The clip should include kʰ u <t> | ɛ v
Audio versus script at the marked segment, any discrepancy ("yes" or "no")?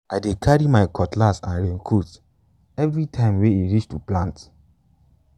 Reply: no